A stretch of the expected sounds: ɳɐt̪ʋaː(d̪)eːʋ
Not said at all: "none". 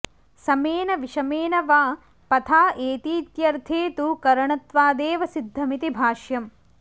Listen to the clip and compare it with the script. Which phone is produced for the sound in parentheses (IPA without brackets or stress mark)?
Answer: d̪